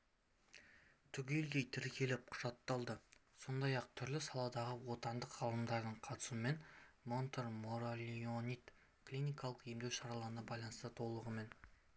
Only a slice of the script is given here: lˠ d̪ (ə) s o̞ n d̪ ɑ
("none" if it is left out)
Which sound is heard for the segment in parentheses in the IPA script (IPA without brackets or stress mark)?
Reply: ə